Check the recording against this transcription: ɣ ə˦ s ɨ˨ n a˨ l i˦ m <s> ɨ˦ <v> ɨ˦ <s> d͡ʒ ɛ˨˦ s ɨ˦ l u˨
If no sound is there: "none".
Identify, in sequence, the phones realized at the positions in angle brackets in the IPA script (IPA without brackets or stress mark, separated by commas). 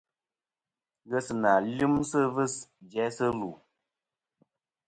s, v, s